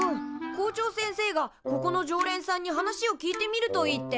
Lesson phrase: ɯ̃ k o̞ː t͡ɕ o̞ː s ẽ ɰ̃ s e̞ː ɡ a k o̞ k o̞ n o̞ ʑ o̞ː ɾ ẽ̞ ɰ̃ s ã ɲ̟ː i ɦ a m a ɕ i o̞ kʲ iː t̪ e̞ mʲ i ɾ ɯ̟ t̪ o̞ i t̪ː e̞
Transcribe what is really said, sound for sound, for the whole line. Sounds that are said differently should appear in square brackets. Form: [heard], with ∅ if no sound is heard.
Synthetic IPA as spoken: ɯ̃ k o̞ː t͡ɕ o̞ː s ẽ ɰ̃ s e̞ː ɡ a k o̞ k o̞ n o̞ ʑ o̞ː ɾ ẽ̞ ɰ̃ s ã ɲ̟ː i ɦ a [n] a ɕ i o̞ kʲ iː t̪ e̞ mʲ i ɾ ɯ̟ t̪ o̞ i t̪ː e̞

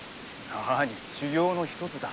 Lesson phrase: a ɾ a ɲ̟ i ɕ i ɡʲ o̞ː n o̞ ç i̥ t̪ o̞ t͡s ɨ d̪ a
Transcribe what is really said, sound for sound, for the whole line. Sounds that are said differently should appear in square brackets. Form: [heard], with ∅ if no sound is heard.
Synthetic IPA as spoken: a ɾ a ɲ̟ i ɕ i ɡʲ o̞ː n o̞ ç i̥ t̪ o̞ t͡s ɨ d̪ a

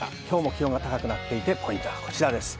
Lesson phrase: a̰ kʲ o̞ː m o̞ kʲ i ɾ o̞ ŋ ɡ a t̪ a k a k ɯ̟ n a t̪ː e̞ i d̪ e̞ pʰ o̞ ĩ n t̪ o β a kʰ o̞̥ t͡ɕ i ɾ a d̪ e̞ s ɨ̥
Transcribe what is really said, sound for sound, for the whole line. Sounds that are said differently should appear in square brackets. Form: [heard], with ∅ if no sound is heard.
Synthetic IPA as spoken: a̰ kʲ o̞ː m o̞ kʲ i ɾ o̞ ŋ ɡ a t̪ a k a k ɯ̟ n a t̪ː e̞ i [t̪] e̞ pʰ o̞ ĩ n t̪ o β a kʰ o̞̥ t͡ɕ i ɾ a d̪ e̞ s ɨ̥

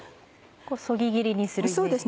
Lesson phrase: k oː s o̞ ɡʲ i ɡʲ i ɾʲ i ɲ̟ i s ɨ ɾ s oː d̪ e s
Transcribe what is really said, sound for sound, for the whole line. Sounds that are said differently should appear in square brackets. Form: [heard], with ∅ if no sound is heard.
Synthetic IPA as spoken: k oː s o̞ ɡʲ i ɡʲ i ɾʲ i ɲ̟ i s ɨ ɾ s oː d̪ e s

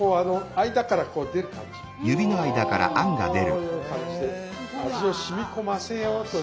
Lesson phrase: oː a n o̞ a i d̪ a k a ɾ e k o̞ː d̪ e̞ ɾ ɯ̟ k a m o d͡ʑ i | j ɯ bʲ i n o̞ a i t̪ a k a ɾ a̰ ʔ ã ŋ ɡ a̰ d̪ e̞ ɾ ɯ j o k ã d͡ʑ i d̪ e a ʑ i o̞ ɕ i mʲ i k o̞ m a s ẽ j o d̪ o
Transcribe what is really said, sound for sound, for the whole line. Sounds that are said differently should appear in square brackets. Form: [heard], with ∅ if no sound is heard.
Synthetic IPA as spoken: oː a n o̞ a i d̪ a k a ɾ [a] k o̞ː d̪ e̞ ɾ ɯ̟ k a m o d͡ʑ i | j ɯ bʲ i n o̞ a i [d̪] a k a ɾ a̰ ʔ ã ŋ ɡ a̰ d̪ e̞ ɾ ɯ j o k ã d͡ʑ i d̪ e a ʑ i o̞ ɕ i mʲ i k o̞ m a s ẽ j o [t̪] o

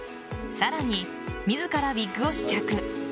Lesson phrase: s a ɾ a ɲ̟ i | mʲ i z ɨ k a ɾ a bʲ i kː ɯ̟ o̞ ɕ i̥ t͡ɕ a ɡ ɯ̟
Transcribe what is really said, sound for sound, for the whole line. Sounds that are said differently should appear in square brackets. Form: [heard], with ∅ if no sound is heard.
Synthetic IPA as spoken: s a ɾ a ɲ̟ i | mʲ i z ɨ k a ɾ a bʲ i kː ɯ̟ o̞ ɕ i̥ t͡ɕ a [k] ɯ̟

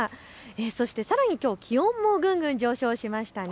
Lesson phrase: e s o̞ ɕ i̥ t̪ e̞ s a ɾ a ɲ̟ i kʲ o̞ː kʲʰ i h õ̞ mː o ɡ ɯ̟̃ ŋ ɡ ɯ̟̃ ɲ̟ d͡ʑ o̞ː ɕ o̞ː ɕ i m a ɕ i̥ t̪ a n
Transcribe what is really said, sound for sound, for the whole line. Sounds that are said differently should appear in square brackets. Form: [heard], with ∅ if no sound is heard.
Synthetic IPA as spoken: e s o̞ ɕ i̥ t̪ e̞ s a ɾ a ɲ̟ i kʲ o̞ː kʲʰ i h õ̞ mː o ɡ ɯ̟̃ ŋ ɡ ɯ̟̃ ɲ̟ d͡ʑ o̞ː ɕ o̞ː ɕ i m a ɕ i̥ t̪ a n

